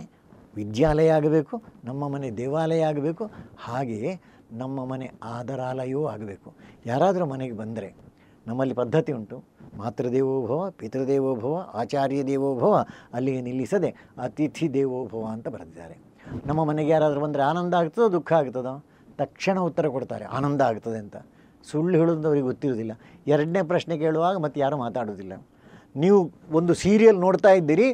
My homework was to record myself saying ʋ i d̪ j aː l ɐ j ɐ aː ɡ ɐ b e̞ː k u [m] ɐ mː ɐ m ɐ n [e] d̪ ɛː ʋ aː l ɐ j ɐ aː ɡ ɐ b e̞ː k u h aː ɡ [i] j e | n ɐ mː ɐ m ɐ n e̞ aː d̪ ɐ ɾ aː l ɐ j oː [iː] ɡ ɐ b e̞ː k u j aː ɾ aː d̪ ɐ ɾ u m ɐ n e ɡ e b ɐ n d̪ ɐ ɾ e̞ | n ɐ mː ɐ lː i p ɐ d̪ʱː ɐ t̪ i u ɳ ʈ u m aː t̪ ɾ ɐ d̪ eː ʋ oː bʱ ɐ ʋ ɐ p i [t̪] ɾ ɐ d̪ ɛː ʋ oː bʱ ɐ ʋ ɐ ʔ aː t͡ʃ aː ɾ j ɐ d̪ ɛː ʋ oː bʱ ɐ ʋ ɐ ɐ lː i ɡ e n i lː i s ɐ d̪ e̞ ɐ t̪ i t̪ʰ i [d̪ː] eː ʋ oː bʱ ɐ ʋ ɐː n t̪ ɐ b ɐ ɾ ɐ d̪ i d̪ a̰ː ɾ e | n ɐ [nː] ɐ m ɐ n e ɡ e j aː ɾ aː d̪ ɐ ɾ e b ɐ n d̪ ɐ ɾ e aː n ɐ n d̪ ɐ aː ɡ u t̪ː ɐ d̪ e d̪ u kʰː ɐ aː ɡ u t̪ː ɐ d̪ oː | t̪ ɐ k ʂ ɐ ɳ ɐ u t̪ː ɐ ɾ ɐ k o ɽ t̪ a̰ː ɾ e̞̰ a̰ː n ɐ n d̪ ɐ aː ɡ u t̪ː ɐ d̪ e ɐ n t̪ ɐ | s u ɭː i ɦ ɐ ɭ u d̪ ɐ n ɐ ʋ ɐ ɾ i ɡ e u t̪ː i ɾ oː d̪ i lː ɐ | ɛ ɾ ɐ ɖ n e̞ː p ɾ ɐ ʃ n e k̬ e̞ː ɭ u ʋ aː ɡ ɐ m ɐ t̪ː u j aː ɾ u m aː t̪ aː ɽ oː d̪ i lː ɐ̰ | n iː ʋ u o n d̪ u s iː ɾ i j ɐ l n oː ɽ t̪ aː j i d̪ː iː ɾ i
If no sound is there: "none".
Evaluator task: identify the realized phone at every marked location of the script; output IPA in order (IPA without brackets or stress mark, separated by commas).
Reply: n, e, e, aː, t̪, d̪, mː